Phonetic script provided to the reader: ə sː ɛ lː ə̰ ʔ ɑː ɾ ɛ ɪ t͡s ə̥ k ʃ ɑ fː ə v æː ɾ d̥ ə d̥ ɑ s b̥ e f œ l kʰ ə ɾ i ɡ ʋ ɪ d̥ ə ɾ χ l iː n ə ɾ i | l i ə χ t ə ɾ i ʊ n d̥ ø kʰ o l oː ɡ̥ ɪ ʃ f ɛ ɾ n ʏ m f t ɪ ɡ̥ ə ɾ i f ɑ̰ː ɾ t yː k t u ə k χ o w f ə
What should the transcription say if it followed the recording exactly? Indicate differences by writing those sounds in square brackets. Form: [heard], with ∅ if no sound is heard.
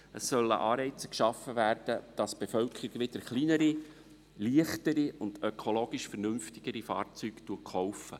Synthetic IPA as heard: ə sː [œ] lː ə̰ ʔ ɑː ɾ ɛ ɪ t͡s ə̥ k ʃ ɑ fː ə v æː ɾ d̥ ə d̥ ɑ s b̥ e f œ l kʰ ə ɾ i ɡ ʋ ɪ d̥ ə ɾ χ l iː n ə ɾ i | l i ə χ t ə ɾ i ʊ n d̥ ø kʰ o l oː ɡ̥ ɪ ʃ f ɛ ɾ n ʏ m f t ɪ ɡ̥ ə ɾ i f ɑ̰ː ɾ [t͡s] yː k t u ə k χ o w f ə